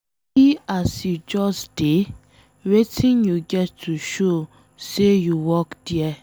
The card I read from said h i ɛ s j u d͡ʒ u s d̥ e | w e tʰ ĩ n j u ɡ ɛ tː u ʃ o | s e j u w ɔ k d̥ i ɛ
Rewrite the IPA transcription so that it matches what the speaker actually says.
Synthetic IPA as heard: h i a s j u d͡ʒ ɔ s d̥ e | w e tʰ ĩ n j u ɡ ɛ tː u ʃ o | s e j u w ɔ k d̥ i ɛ